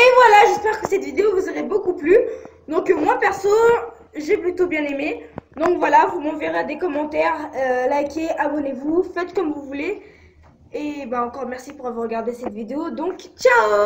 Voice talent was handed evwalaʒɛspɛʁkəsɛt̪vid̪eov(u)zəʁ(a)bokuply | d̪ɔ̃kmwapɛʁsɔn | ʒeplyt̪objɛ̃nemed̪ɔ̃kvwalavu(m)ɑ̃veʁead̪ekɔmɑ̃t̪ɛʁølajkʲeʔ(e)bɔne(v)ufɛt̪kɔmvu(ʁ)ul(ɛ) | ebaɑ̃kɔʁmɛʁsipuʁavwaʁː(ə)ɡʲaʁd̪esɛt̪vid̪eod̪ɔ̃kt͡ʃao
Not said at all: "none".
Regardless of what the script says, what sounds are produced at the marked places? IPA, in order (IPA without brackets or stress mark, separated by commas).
u, e, m, a, v, v, e, ə